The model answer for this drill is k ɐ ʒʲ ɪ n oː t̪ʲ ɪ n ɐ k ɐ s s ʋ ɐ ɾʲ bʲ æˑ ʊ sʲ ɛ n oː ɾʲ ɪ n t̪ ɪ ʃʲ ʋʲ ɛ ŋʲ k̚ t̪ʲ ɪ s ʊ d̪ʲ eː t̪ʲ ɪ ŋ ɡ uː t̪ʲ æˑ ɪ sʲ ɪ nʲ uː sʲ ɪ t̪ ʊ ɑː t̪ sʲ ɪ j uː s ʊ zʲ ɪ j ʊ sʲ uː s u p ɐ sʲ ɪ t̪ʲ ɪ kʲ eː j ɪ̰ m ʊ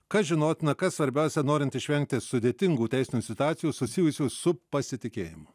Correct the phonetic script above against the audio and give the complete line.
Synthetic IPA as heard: k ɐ ʒʲ ɪ n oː t̪ʲ ɪ n ɐ k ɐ s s ʋ ɐ ɾʲ bʲ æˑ ʊ sʲ ɛ n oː ɾʲ ɪ n t̪ ɪ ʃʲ ʋʲ ɛ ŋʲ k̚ t̪ʲ ɪ s ʊ d̪ʲ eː t̪ʲ ɪ ŋ ɡ uː t̪ʲ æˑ ɪ sʲ ɪ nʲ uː sʲ ɪ t̪ ʊ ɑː t̪ sʲ ɪ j uː s ʊ sʲ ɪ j ʊ sʲ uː s ʊ p ɐ sʲ ɪ t̪ʲ ɪ kʲ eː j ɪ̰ m ʊ

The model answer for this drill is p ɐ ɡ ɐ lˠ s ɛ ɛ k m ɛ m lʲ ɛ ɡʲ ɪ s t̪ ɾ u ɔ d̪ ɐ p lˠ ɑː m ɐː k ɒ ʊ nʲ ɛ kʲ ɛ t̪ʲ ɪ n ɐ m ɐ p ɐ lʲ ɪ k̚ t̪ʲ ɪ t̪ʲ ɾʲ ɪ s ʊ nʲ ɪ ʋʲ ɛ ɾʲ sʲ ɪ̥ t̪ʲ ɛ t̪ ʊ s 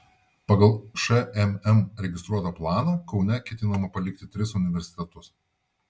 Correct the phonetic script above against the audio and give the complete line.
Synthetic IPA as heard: p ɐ ɡ ɐ lˠ ʃ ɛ ɛ m ɛ m ɾʲ ɛ ɡʲ ɪ s t̪ ɾ u ɔ t̪ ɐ p lˠ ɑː n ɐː k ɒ ʊ nʲ ɛ kʲ ɛ t̪ʲ ɪ n ɐ m ɐ p ɐ lʲ ɪ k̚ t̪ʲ ɪ t̪ʲ ɾʲ ɪ s ʊ nʲ ɪ ʋʲ ɛ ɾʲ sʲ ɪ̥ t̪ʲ ɛ t̪ ʊ s

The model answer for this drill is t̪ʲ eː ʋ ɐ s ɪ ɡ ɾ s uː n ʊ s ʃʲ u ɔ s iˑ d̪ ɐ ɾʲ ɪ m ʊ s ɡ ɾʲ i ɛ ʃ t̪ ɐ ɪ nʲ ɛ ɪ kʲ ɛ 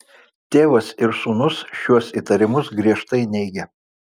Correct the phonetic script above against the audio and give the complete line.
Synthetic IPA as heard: t̪ʲ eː ʋ ɐ s ɪ ɾ s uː n ʊ s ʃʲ u ɔ s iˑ t̪ ɐ ɾʲ ɪ m ʊ s ɡ ɾʲ i ɛ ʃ t̪ ɐ ɪ nʲ ɛ ɪ ɡʲ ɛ

